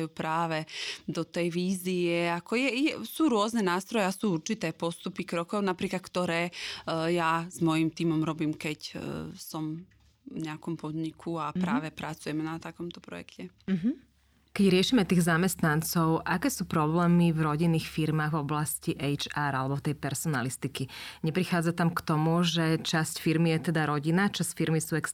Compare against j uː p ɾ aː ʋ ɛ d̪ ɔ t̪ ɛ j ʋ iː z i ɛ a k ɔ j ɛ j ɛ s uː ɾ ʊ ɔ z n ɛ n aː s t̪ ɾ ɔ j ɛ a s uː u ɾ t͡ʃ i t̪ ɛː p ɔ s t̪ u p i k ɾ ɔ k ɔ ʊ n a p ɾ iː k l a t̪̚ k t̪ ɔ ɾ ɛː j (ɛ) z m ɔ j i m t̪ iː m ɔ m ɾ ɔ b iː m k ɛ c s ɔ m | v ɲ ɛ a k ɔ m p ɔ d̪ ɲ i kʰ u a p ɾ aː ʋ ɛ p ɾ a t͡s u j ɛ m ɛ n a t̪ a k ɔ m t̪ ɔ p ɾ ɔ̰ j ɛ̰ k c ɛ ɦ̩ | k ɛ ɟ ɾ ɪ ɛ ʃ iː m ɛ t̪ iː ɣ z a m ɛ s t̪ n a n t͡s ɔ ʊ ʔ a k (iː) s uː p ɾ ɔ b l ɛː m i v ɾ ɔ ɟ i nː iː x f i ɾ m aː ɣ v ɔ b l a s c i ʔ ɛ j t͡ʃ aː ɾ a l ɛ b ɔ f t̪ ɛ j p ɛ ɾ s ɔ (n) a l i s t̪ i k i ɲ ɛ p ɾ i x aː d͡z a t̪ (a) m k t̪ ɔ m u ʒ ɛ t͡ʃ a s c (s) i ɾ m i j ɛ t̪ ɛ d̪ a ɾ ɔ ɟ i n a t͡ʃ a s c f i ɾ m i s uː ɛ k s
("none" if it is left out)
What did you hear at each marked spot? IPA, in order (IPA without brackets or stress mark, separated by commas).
a, ɛː, n, a, f